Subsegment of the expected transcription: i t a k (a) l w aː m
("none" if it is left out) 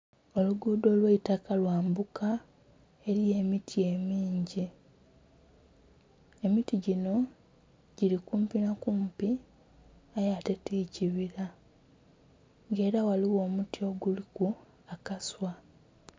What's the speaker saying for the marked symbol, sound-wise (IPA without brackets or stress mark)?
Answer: a